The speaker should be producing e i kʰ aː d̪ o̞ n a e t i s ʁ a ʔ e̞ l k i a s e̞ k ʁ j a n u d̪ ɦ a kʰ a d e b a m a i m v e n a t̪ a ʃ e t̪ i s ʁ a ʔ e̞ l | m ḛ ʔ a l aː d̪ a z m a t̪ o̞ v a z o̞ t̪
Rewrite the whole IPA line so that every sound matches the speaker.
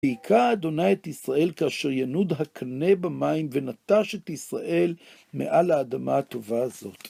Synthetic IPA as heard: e i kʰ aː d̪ o̞ n a e t i s ʁ a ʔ e̞ l k a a ʃ e̞ ʁ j a n u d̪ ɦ a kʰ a n e b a m a i m v e n a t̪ a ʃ e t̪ i s ʁ a ʔ e̞ l | m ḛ ʔ a l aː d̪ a m a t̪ o̞ v a z o̞ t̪